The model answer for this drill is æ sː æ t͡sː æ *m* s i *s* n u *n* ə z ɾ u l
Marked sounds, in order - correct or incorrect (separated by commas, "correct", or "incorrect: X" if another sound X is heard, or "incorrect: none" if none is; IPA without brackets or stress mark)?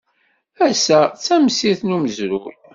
correct, incorrect: θ, incorrect: m